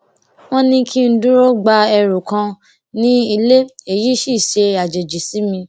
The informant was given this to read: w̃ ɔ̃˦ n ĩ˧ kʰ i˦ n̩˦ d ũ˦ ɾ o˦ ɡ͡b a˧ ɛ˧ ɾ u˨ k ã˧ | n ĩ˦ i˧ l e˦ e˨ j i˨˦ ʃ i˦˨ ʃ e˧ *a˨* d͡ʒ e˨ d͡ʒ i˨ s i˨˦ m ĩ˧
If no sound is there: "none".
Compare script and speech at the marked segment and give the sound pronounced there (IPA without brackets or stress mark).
a˨